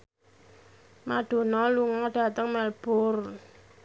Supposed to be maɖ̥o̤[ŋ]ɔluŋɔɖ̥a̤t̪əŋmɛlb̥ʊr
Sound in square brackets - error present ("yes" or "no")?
yes